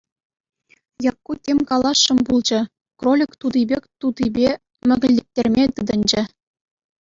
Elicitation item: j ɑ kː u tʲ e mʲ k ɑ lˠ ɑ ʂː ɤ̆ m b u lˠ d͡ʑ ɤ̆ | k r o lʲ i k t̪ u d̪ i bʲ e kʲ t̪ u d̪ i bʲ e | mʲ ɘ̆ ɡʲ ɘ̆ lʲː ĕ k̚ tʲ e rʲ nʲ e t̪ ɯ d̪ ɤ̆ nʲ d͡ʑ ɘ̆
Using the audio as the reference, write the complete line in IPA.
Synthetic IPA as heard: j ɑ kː u tʲ e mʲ k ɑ lˠ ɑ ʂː ɤ̆ m b u lˠ d͡ʑ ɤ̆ | k r o lʲ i k t̪ u d̪ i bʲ e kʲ t̪ u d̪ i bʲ e | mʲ ɘ̆ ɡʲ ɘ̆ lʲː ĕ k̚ tʲ e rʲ mʲ e t̪ ɯ d̪ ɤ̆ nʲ d͡ʑ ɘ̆